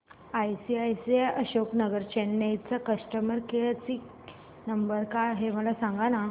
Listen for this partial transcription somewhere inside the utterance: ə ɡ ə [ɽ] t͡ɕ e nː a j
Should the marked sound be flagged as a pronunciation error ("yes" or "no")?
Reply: yes